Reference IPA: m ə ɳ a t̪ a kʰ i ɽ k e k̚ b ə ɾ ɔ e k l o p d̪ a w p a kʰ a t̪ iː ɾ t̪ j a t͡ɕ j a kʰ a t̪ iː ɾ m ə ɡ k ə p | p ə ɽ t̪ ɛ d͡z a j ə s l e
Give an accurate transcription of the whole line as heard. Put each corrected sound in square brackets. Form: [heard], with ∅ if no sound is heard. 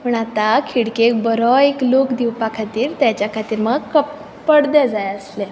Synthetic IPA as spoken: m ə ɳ a t̪ a kʰ i ɽ k e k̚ b ə ɾ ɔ e k l o [k] d̪ [i] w p a kʰ a t̪ iː ɾ t̪ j a t͡ɕ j a kʰ a t̪ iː ɾ m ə ɡ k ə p | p ə ɽ [d̪] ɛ d͡z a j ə s l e